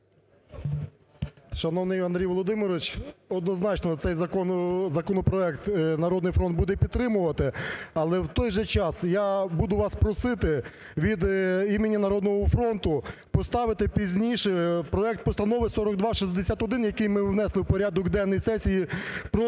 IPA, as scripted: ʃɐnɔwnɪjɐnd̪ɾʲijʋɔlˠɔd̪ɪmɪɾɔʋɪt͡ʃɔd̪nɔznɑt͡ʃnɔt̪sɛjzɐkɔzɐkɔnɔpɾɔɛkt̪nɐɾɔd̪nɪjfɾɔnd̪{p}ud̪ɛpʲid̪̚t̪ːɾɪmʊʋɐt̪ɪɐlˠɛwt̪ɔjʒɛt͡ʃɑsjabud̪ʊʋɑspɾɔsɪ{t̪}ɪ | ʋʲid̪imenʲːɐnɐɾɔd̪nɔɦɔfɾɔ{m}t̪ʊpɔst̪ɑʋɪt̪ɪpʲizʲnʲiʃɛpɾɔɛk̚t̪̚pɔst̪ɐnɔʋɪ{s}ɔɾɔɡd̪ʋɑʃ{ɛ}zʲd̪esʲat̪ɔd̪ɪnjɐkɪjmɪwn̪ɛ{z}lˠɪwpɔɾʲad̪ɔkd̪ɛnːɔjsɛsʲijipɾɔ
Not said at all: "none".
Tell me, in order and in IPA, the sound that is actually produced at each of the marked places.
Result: b, t̪, n, s, i, s

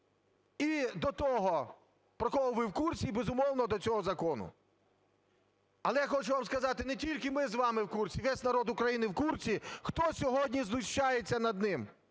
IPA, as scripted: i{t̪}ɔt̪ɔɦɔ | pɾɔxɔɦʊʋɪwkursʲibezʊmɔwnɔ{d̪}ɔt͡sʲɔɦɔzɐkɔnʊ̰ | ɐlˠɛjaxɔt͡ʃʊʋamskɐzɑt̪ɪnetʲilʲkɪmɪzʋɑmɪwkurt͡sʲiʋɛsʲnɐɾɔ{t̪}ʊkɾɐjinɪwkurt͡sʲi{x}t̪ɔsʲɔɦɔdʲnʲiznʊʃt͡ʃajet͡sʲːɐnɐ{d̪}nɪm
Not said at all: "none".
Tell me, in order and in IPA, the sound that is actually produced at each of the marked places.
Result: d̪, d̪, d̪, x, d̪

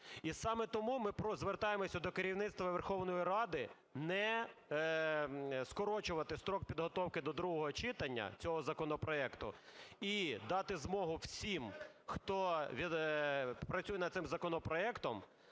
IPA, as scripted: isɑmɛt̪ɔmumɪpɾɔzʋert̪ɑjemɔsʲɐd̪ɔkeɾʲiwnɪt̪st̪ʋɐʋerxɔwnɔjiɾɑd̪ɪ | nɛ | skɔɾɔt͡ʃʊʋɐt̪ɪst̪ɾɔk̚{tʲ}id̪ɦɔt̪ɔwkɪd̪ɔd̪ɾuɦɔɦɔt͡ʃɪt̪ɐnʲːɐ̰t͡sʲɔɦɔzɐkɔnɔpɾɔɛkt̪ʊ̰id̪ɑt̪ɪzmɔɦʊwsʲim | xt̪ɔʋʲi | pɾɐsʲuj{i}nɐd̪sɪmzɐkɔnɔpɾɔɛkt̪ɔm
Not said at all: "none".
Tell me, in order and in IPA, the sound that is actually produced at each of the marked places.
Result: pʲ, ɛ

